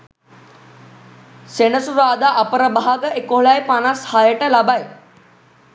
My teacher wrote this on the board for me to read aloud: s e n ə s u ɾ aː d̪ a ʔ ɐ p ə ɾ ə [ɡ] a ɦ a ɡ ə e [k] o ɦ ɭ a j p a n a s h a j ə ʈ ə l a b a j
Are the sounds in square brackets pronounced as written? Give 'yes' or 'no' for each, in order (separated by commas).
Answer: no, yes